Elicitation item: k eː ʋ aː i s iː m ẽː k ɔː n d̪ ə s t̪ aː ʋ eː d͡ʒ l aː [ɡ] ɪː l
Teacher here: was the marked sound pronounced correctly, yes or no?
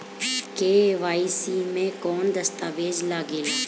yes